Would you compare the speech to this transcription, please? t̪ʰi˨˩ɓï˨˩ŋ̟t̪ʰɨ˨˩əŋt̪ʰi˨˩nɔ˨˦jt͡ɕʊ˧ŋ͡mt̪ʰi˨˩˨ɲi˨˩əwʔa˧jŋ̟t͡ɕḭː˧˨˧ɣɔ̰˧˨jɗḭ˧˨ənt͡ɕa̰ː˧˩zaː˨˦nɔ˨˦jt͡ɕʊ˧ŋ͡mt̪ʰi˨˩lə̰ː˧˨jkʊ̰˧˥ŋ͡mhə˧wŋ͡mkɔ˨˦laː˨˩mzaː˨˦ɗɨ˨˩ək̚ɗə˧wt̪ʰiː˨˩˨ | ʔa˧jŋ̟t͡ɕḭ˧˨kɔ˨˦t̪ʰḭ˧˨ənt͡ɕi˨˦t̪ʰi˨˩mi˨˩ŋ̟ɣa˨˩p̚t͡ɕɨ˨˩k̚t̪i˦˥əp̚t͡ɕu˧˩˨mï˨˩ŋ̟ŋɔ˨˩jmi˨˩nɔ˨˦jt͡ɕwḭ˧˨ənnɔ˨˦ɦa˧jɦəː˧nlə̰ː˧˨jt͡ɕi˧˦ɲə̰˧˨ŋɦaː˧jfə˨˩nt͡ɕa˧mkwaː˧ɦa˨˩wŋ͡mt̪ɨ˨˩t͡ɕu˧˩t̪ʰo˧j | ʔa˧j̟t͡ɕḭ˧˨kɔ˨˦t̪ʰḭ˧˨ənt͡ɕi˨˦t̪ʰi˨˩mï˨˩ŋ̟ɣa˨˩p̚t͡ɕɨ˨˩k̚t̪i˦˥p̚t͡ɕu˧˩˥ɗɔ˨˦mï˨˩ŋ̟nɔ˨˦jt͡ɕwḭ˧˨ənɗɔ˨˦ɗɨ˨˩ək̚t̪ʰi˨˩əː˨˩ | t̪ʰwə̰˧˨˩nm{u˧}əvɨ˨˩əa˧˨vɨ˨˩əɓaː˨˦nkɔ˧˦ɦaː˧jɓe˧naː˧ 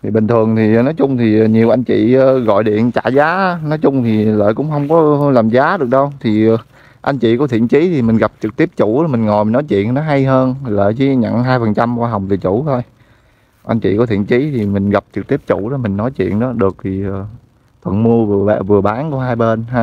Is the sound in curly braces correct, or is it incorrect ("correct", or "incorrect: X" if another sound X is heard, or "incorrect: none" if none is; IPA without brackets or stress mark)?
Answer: correct